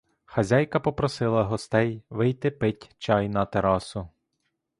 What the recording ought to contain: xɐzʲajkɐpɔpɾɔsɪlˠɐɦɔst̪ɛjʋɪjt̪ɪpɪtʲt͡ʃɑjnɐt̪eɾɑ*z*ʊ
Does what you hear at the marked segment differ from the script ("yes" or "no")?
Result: yes